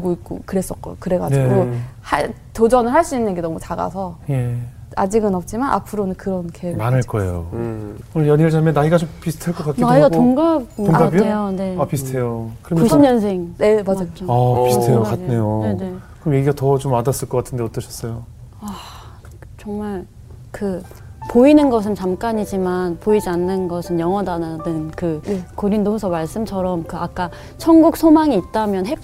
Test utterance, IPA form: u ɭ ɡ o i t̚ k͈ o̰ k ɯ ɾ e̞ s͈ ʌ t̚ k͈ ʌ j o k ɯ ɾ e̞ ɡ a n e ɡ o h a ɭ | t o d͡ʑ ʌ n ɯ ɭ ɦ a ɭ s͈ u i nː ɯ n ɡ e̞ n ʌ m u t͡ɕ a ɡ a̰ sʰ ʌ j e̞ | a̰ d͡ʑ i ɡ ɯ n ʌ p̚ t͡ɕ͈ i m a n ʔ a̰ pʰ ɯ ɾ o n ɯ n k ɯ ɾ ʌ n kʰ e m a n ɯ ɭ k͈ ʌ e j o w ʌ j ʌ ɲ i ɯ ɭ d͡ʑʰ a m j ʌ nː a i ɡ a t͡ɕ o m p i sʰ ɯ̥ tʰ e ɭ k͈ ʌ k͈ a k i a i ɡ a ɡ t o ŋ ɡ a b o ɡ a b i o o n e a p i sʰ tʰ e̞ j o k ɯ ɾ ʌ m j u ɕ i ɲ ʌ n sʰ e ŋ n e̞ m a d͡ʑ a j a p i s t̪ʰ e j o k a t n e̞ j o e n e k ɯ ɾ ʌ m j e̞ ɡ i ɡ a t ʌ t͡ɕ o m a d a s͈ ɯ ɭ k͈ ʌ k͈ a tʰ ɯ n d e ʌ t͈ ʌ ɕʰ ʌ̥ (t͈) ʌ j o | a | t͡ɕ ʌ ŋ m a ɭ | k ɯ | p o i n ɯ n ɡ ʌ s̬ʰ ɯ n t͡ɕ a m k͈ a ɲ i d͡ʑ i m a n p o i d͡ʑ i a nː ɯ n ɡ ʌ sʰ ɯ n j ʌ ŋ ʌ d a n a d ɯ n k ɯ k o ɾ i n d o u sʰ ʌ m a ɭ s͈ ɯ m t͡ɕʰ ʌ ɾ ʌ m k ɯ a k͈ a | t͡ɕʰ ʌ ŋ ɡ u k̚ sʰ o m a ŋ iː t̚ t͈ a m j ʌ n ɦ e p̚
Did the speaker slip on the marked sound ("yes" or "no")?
yes